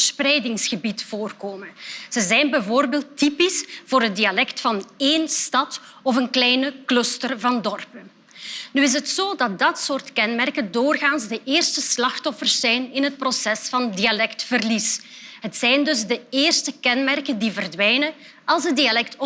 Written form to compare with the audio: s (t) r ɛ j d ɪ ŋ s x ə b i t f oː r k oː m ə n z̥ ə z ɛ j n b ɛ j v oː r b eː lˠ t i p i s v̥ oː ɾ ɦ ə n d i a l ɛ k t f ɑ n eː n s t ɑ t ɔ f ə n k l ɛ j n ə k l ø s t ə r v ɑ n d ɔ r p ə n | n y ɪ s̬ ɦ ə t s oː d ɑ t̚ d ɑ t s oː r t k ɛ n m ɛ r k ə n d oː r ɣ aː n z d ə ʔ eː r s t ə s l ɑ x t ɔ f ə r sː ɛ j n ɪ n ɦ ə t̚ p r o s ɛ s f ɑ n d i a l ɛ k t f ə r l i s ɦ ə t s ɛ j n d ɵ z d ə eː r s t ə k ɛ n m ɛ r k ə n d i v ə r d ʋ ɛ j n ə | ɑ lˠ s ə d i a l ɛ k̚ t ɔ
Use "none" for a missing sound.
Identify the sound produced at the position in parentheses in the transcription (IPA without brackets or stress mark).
p